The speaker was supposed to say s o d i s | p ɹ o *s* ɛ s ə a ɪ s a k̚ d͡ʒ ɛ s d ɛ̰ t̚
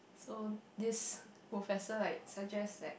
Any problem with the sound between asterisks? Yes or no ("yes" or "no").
yes